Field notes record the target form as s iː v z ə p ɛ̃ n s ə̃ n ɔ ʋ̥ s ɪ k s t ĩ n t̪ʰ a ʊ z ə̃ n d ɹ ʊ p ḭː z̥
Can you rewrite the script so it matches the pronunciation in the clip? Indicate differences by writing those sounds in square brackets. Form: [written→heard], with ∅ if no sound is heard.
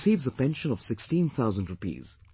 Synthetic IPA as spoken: s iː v z ə p ɛ̃ n [s→ʃ] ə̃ n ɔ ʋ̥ s ɪ k s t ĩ n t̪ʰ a ʊ z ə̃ n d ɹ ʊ p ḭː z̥